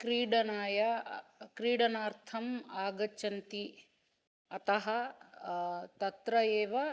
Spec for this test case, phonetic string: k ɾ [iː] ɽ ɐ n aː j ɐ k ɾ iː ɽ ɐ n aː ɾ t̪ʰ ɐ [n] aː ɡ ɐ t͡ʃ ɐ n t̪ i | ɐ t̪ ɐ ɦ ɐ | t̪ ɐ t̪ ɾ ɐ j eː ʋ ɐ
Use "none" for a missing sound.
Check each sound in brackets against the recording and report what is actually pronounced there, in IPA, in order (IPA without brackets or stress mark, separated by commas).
iː, m